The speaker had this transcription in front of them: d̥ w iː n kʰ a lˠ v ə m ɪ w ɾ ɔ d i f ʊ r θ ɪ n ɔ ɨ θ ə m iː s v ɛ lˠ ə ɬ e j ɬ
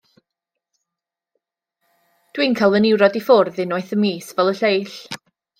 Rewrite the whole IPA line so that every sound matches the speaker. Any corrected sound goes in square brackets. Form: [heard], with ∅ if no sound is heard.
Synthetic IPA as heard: d̥ w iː n kʰ a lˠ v ə [n] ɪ w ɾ ɔ d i f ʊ r [ð] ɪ n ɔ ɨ θ ə m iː s v ɛ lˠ ə ɬ e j ɬ